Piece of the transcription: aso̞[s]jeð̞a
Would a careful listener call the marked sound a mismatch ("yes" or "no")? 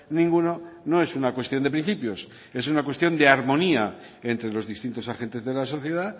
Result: yes